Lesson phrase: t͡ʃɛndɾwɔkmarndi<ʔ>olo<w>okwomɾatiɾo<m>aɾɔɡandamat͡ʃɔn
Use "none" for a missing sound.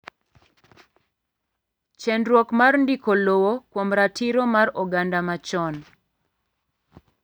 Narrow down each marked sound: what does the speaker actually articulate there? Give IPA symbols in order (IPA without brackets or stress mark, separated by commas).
k, w, m